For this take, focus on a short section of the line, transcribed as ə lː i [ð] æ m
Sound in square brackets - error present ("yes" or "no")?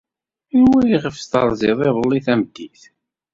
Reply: yes